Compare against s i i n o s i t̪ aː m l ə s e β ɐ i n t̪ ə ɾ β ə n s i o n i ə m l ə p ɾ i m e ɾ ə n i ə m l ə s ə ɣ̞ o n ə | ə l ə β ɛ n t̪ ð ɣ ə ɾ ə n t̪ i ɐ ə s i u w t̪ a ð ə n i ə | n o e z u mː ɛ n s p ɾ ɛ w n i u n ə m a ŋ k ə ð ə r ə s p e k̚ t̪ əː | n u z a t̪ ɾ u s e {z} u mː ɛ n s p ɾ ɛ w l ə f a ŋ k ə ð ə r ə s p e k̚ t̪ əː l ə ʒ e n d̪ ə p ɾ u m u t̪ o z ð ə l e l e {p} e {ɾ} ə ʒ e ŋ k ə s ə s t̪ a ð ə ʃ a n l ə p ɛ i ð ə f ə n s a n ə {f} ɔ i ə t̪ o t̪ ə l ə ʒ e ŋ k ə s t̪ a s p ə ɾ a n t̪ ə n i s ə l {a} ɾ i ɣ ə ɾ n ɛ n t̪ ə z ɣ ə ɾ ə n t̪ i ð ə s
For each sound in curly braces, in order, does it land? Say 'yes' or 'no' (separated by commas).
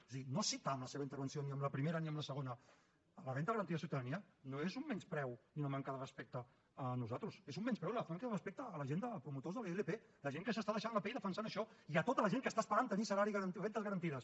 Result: yes, yes, no, no, yes